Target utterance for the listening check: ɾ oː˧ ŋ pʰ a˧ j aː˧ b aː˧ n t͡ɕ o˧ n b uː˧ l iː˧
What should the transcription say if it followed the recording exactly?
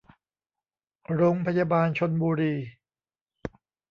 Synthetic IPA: ɾ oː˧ ŋ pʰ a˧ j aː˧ b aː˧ n t͡ɕʰ o˧ n b uː˧ ɾ iː˧